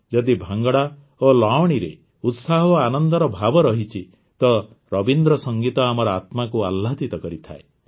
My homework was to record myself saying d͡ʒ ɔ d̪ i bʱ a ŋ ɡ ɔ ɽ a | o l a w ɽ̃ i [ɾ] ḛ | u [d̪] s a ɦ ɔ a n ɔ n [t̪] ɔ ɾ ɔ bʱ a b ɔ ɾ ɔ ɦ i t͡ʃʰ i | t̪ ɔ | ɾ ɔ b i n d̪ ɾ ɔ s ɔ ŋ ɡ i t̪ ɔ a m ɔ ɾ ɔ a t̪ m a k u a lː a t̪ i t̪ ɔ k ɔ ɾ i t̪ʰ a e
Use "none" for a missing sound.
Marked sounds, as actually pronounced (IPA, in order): ɾ, t̪, d̪

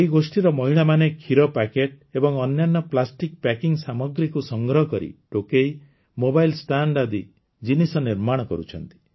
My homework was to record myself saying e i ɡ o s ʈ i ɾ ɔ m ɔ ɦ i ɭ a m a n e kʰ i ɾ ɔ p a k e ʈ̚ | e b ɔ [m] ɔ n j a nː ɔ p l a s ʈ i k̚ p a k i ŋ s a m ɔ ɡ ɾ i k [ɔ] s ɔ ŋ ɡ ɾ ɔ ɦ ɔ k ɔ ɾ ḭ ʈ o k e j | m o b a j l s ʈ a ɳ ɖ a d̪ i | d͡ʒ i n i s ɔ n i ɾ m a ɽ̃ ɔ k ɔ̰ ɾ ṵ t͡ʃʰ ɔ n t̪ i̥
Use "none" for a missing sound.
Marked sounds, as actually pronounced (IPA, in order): ŋ, u

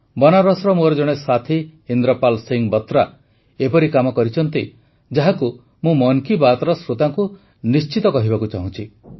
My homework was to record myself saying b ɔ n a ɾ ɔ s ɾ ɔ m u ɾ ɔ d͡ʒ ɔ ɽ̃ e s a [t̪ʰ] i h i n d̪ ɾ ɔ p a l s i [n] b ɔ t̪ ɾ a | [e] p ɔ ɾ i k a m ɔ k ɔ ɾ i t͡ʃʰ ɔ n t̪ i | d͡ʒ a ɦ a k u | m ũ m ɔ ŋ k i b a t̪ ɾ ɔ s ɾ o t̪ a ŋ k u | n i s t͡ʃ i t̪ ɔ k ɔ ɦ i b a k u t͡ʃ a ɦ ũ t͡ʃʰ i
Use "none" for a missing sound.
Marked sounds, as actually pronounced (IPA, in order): t̪ʰ, ŋ, e

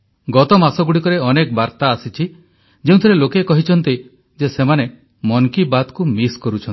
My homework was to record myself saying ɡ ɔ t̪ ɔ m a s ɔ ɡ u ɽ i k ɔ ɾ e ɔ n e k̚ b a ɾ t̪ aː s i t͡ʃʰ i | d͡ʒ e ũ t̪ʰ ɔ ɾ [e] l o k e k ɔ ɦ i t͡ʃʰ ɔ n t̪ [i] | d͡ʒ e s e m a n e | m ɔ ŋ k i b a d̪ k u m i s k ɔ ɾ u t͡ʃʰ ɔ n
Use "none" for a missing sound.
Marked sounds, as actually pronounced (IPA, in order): e, i

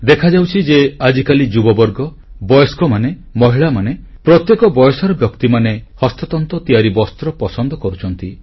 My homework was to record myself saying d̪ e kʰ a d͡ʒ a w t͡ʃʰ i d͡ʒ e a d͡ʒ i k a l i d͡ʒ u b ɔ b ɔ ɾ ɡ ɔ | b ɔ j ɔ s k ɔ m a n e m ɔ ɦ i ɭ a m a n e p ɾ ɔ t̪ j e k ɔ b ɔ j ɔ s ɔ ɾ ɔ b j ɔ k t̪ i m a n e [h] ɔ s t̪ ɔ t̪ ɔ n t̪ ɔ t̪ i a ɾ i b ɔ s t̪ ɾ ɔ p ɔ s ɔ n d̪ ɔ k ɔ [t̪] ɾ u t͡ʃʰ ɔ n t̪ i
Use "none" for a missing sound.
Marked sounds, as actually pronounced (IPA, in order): h, none

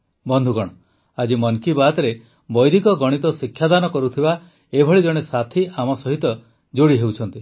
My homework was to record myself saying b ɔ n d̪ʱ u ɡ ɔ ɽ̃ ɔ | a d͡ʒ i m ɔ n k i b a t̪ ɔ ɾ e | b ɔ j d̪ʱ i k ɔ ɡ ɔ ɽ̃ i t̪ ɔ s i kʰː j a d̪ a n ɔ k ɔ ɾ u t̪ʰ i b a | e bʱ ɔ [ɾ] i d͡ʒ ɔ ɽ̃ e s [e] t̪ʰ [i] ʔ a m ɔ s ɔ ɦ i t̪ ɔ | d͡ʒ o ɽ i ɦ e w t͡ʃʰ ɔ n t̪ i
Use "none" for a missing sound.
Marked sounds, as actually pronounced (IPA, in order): ɭ, a, i

